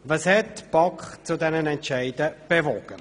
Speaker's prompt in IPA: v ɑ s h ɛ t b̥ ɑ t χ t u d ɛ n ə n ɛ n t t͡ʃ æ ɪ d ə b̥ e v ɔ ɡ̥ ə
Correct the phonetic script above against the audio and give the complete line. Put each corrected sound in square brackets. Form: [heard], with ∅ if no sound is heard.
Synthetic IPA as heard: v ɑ s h ɛ t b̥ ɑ [k] χ [t͡s] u d ɛ n ə n ɛ n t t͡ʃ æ ɪ d ə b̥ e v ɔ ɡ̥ ə